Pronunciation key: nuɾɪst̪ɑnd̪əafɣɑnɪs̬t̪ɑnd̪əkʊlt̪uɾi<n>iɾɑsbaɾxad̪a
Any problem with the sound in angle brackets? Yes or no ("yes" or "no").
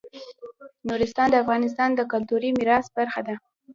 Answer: yes